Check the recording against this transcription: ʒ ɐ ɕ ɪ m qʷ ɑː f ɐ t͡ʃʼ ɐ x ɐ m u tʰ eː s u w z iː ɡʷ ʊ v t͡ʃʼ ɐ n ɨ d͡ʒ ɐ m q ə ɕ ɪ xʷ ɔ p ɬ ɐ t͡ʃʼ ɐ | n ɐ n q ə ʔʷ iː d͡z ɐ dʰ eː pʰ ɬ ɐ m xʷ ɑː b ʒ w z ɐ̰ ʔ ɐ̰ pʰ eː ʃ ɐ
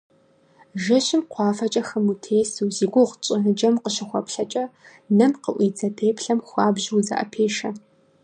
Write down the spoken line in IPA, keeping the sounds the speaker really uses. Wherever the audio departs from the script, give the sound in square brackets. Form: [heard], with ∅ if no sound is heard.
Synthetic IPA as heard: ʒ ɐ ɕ ɪ m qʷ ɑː f ɐ t͡ʃʼ ɐ x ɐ m u tʰ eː s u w z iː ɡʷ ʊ [ʁ] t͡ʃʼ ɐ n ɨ d͡ʒ ɐ m q ə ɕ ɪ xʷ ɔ p ɬ ɐ t͡ʃʼ ɐ | n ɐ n q ə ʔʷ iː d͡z ɐ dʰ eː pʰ ɬ ɐ m xʷ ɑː b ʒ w z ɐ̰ ʔ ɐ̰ pʰ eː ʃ ɐ